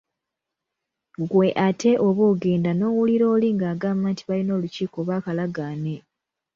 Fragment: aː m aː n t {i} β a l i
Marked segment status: correct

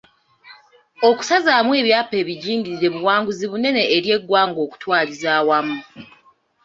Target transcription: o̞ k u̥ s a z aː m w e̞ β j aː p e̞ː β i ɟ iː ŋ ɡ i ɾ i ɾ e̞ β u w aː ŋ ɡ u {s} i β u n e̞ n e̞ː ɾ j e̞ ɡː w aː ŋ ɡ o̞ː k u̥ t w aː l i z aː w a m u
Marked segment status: incorrect: z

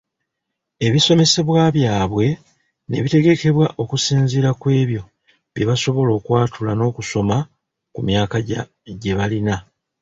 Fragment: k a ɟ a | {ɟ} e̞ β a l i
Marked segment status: correct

